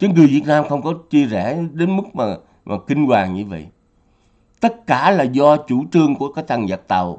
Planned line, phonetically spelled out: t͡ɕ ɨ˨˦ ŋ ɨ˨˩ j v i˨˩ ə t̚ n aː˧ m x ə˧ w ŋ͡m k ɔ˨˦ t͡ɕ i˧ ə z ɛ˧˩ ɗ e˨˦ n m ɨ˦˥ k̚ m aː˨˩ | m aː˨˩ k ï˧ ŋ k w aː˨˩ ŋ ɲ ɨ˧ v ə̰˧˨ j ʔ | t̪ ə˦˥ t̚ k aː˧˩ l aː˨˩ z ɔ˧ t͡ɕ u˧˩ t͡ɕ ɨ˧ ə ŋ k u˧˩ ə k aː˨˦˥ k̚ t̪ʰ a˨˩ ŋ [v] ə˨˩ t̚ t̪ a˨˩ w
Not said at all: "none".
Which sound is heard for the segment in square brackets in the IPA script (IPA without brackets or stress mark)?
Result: z